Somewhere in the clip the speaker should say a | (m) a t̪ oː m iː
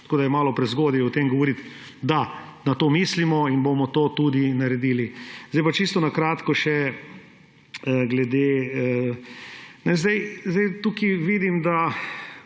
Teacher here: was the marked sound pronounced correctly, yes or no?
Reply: no